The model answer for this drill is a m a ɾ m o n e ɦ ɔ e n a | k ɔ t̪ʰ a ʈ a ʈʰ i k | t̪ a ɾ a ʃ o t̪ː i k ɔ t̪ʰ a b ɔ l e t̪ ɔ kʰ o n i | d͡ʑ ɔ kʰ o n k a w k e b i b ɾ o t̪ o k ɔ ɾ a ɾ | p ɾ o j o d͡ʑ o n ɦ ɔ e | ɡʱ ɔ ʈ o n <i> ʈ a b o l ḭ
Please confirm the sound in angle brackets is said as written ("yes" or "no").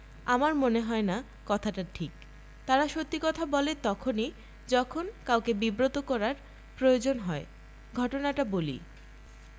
no